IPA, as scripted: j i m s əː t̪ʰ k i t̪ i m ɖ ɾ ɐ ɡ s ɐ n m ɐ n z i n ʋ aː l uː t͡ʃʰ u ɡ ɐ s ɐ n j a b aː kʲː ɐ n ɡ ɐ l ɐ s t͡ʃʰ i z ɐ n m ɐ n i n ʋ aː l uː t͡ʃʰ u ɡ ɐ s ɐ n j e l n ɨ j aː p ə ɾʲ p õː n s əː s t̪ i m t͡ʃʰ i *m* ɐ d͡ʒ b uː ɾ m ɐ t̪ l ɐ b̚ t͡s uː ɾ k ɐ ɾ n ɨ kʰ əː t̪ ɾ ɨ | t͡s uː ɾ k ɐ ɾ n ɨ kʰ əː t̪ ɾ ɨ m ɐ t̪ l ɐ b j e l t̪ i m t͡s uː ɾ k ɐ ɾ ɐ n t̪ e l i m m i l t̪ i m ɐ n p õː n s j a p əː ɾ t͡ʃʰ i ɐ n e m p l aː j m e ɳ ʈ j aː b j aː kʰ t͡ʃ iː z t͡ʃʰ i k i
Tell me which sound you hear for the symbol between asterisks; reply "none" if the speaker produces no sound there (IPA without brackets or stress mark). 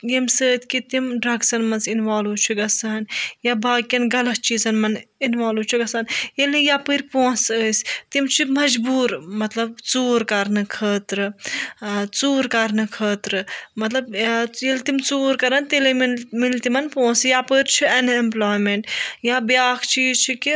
m